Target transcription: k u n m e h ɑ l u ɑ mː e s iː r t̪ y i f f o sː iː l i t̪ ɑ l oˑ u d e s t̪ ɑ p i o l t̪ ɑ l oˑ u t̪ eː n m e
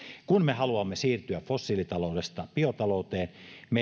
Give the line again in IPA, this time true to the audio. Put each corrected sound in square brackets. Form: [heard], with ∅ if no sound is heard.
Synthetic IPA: k u n m e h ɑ l u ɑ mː e s iː r t̪ y [æ] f f o sː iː l i t̪ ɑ l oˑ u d e s t̪ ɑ p i o [∅] t̪ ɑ l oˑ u t̪ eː n m e